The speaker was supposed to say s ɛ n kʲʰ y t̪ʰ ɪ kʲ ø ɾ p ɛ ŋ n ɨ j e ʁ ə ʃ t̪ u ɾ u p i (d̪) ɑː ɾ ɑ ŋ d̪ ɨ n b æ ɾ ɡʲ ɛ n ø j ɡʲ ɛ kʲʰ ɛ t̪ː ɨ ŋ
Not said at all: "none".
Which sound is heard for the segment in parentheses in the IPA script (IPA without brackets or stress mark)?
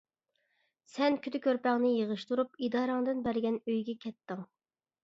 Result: d̪